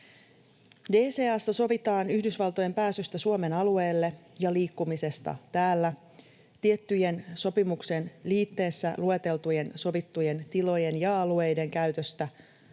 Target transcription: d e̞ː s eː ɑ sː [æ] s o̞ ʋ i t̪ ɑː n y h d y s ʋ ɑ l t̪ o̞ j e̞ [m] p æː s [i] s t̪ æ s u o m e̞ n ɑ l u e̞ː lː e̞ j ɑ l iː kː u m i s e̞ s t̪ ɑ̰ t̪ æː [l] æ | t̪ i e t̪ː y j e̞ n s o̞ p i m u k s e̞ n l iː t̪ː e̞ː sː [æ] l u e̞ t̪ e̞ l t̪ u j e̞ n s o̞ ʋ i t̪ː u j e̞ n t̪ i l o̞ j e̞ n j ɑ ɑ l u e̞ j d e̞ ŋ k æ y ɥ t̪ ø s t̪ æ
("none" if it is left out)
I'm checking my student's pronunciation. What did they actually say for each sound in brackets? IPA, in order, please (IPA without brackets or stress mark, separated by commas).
æ, m, y, lː, æ